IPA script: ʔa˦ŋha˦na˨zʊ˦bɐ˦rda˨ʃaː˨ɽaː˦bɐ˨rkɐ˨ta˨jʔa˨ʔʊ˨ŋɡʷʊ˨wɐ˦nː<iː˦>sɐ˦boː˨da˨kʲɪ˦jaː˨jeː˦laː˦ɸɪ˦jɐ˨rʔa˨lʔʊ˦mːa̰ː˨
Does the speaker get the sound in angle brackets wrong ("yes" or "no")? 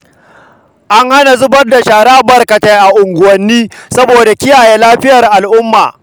no